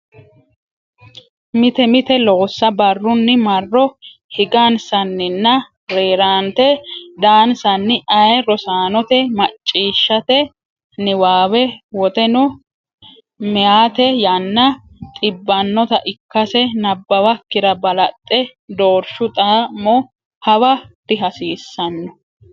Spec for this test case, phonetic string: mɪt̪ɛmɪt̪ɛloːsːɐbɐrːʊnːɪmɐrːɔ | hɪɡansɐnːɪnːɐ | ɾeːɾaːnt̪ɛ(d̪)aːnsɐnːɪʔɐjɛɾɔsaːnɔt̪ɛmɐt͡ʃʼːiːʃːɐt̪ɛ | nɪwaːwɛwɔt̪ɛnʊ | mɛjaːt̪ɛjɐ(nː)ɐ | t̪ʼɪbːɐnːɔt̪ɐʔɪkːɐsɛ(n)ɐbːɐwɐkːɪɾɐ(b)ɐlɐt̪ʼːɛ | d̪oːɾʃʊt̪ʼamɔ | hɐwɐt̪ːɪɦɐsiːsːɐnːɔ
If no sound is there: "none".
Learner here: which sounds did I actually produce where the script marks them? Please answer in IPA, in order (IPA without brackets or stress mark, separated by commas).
d̪, nː, n, b